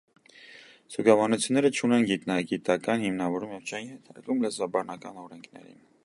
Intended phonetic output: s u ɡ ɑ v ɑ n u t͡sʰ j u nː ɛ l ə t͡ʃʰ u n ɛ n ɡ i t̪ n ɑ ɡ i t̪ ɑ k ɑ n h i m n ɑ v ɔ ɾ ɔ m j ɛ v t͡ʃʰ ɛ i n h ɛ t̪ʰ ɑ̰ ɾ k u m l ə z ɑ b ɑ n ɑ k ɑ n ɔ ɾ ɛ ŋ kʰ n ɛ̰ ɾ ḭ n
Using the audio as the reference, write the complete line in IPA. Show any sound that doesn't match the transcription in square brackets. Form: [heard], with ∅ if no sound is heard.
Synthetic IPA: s u ɡ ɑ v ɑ n u t͡sʰ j u nː ɛ [ɾ] ə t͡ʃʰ u n ɛ n ɡ i t̪ n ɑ ɡ i t̪ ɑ k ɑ n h i m n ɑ v ɔ ɾ [u] m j ɛ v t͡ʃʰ ɛ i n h ɛ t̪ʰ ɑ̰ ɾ k u m l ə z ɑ b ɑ n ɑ k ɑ n ɔ ɾ ɛ ŋ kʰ n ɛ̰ ɾ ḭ n